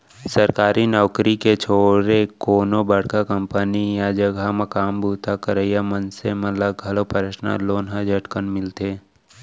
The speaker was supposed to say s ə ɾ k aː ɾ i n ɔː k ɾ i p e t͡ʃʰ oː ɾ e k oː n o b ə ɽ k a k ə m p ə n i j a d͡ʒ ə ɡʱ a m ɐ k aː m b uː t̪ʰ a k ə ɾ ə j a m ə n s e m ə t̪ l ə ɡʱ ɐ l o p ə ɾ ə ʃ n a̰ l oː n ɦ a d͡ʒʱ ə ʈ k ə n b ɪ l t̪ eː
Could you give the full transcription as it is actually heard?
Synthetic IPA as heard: s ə ɾ k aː ɾ i n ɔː k ɾ i k e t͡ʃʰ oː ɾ e k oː n o b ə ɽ k a k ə m p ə n i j a d͡ʒ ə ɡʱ a m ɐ k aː m b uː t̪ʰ a k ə ɾ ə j a m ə n s e m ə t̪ l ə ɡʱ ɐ l o p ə ɾ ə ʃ n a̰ l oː n ɦ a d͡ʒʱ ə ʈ k ə n m ɪ l t̪ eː